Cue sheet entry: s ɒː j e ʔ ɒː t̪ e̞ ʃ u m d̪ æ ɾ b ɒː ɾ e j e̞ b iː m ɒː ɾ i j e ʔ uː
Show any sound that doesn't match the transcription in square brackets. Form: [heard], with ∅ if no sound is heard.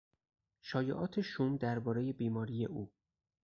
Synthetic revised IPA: [ʃ] ɒː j e ʔ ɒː [t̪ʰ] e̞ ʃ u m d̪ æ ɾ b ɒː ɾ e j e̞ b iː m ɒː ɾ i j e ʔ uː